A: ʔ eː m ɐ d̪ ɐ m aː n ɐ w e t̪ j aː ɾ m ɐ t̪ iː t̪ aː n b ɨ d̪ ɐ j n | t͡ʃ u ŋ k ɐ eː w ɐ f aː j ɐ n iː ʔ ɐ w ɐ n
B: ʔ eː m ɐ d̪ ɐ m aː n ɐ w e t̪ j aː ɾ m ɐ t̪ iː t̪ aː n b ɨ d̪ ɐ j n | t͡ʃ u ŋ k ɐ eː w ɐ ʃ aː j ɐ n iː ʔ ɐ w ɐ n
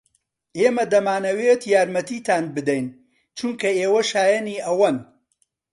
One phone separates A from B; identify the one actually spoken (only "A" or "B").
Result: B